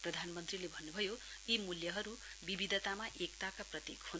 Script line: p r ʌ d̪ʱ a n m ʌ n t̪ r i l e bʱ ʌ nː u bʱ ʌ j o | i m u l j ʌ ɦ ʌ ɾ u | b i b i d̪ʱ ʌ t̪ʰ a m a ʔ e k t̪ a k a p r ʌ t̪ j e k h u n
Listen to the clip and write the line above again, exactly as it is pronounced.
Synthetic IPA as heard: p r ʌ d̪ʱ a n m ʌ n t̪ r i l e bʱ ʌ nː u bʱ ʌ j o | i m u l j ʌ ɦ ʌ ɾ u | b i b i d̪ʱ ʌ t̪ a m a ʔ e k t̪ a k a p r ʌ t̪ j e k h u n